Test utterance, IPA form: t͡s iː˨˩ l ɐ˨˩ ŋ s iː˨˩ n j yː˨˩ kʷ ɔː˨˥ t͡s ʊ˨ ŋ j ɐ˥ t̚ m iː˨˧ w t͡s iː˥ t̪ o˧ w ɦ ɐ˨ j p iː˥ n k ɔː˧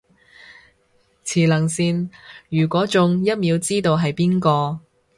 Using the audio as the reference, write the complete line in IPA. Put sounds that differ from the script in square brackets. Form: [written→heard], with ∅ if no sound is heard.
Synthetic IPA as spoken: [t͡s→t͡sʰ] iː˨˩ l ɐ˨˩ ŋ s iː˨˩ n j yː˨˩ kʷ ɔː˨˥ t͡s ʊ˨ ŋ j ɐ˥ t̚ m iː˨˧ w t͡s iː˥ t̪ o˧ w ɦ ɐ˨ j p iː˥ n k ɔː˧